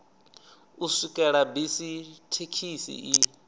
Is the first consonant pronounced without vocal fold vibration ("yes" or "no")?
yes